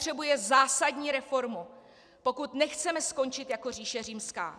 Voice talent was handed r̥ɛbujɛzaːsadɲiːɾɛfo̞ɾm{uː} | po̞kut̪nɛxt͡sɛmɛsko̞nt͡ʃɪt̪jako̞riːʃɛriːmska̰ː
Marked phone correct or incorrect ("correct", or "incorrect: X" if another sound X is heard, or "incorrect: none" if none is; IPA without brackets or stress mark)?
incorrect: u